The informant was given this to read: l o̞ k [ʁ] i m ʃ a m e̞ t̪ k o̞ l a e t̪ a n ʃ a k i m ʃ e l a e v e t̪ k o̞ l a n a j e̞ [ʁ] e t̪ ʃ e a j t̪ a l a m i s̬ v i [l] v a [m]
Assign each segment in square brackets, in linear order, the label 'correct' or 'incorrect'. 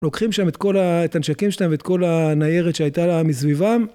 incorrect, correct, incorrect, correct

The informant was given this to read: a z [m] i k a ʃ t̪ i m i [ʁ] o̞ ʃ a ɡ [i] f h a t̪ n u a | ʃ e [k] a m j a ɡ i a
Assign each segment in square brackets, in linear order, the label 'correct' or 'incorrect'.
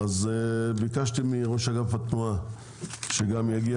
incorrect, correct, incorrect, incorrect

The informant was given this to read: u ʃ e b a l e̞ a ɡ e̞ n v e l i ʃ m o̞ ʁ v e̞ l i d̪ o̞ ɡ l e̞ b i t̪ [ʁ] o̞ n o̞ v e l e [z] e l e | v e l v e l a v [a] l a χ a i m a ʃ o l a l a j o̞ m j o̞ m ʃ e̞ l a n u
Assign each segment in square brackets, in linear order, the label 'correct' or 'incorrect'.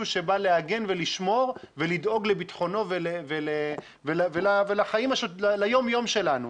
incorrect, incorrect, incorrect

